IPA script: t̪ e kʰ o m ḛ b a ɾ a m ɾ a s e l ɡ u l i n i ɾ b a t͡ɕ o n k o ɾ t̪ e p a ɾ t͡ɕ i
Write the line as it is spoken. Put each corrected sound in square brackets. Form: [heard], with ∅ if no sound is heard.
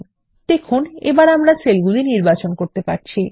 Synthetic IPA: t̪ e kʰ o [n] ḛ b a ɾ a m ɾ a s e l ɡ u l i n i ɾ b a t͡ɕ o n k o ɾ t̪ e p a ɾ [t͡ɕʰ] i